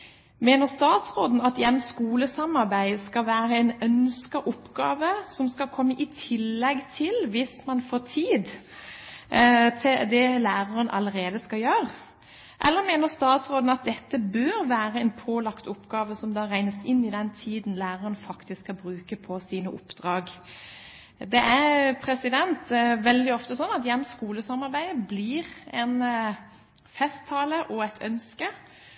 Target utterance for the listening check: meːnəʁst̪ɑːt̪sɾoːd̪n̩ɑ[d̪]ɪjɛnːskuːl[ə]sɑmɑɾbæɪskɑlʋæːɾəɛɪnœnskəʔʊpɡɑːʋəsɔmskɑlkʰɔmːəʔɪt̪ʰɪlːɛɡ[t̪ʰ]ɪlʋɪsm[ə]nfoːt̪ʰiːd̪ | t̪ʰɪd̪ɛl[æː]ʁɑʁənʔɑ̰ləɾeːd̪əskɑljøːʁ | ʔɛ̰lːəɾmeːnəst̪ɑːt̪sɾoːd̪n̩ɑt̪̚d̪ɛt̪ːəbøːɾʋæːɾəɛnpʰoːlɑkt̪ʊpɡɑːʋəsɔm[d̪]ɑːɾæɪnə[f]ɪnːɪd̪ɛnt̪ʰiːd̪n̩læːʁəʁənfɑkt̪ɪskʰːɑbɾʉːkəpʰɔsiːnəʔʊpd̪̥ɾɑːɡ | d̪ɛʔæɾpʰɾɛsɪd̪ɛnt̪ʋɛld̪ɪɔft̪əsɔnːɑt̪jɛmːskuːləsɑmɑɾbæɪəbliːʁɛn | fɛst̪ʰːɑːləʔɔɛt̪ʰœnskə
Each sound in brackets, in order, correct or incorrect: incorrect, correct, correct, incorrect, correct, correct, incorrect

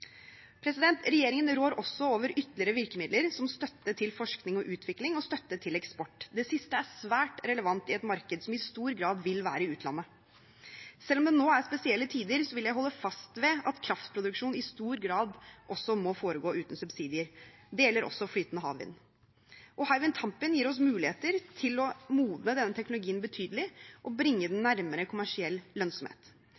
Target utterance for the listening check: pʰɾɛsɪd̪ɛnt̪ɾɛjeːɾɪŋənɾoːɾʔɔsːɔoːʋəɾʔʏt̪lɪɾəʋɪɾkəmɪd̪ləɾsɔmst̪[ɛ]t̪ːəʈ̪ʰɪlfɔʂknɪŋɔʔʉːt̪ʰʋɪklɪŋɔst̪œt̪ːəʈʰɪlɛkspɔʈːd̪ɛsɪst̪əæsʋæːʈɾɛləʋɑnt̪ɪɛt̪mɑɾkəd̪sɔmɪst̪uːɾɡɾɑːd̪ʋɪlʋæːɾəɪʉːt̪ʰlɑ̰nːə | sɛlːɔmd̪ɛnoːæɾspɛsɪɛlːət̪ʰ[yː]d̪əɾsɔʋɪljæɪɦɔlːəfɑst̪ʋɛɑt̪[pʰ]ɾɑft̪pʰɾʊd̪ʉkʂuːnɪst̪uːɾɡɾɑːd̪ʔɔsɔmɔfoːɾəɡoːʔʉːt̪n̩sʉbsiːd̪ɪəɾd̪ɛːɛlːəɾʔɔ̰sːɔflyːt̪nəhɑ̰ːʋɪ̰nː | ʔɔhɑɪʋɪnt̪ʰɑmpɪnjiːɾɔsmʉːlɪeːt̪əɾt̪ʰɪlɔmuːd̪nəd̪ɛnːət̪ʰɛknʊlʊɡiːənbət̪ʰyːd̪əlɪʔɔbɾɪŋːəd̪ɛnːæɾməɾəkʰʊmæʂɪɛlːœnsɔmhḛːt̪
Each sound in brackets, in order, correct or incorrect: incorrect, incorrect, incorrect

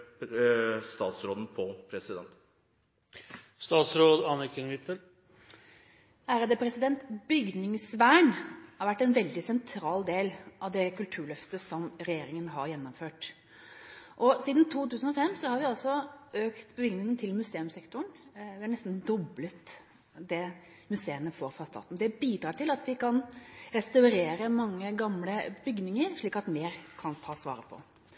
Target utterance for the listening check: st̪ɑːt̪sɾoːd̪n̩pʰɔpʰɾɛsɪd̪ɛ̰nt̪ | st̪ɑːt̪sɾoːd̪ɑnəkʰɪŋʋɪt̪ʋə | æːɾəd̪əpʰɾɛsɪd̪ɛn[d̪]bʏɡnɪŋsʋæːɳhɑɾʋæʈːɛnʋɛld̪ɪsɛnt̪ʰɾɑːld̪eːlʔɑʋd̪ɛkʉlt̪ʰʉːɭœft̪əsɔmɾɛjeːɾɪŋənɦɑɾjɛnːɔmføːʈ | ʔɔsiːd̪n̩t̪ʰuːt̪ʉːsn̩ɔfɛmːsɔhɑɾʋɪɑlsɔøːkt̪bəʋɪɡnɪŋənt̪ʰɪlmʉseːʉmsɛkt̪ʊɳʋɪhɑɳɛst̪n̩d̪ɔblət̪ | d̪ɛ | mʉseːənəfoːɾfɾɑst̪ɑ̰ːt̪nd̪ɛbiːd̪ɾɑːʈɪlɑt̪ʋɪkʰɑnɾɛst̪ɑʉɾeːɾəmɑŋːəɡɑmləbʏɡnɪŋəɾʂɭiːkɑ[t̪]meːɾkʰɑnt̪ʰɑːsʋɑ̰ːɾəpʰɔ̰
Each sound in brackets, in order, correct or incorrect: incorrect, correct

